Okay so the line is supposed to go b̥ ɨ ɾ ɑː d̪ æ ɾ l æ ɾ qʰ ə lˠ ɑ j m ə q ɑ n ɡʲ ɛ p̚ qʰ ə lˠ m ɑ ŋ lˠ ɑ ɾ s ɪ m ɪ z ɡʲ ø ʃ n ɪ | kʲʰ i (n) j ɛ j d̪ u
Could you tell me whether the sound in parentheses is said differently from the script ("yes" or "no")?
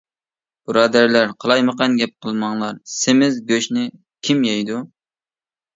yes